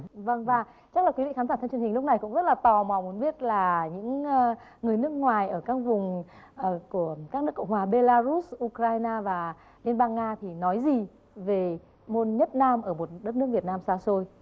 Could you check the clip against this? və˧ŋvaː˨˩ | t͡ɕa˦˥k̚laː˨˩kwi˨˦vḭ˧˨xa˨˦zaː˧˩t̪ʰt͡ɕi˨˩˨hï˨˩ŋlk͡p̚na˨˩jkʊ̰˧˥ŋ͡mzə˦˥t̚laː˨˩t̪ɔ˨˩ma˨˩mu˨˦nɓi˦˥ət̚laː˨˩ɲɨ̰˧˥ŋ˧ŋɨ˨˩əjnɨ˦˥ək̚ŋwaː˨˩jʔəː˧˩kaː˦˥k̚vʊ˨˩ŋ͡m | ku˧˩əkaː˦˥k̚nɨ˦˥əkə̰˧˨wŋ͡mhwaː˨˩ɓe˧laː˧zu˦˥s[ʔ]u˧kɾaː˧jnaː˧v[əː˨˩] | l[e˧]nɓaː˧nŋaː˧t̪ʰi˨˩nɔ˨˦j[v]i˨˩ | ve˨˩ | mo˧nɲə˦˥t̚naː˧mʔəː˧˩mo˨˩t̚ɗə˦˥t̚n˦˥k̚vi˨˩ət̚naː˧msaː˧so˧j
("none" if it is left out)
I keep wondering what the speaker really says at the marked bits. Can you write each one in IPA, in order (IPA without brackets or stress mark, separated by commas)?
ʔ, aː˨˩, i˧, z